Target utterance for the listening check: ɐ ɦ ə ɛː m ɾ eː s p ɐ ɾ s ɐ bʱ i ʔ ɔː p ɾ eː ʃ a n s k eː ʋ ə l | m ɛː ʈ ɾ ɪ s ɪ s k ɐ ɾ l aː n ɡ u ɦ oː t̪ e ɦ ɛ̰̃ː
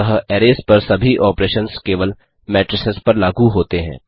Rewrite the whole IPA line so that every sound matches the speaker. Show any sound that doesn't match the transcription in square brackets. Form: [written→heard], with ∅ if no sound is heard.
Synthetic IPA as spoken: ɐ ɦ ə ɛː [m→∅] ɾ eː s p ɐ ɾ s ɐ bʱ i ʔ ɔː p ɾ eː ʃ [a→ə] n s k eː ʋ ə l | m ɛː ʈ ɾ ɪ s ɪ s [k→p] ɐ ɾ l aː [n→∅] ɡ u ɦ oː t̪ e ɦ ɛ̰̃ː